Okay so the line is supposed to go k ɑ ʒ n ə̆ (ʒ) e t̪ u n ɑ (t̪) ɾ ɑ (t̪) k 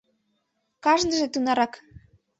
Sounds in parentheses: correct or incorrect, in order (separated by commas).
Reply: correct, incorrect, incorrect